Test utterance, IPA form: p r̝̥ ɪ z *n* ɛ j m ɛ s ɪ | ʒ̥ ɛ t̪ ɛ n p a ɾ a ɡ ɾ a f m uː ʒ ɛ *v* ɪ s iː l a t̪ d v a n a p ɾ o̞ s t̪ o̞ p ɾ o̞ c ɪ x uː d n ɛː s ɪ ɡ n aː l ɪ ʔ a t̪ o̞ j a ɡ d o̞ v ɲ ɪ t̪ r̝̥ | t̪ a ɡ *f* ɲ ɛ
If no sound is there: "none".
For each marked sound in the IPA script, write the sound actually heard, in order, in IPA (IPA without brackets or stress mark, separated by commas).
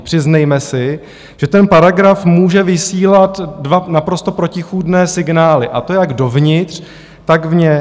n, v, v